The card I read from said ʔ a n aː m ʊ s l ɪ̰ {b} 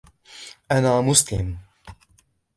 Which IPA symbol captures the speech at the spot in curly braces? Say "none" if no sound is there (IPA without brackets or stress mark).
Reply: m